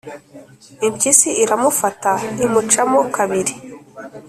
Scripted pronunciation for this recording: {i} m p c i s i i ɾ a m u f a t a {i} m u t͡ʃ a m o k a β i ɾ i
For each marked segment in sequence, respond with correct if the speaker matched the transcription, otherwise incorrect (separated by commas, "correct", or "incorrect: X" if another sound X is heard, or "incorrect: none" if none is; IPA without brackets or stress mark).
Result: correct, correct